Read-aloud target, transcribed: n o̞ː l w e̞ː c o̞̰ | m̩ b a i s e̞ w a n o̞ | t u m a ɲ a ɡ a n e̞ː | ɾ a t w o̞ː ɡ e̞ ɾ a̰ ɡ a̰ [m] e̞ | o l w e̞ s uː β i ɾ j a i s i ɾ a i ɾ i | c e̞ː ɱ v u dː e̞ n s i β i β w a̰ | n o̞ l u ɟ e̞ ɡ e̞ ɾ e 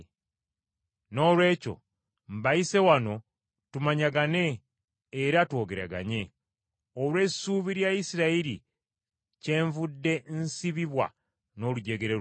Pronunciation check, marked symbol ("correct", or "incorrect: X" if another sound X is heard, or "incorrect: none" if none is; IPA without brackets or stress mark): incorrect: ɲ